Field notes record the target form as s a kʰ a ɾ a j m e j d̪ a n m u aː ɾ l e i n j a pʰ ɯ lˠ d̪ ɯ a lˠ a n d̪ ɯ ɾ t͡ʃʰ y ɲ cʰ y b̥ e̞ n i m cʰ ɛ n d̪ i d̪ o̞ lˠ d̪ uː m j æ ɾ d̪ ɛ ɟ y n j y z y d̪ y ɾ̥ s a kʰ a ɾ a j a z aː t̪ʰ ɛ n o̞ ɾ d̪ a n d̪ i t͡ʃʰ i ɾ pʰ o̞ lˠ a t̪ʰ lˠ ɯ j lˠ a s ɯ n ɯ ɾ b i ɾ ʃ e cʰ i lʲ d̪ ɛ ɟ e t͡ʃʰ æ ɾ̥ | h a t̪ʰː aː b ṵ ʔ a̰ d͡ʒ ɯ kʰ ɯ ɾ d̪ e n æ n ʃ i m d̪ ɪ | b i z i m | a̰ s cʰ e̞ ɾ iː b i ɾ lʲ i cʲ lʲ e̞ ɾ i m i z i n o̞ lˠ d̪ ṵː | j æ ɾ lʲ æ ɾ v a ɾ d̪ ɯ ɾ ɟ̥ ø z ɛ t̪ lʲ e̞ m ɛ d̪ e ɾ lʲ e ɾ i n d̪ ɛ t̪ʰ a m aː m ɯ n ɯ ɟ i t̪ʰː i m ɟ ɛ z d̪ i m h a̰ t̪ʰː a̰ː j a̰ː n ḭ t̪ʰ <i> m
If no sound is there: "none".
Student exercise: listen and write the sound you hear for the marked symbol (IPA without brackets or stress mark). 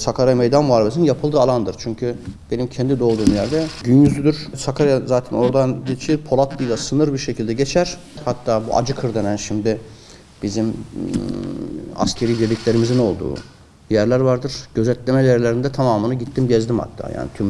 y